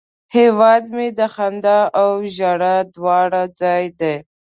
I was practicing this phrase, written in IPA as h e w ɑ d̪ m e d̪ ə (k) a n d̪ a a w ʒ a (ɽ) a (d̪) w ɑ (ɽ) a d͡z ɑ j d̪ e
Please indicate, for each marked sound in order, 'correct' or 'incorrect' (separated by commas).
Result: incorrect, correct, correct, correct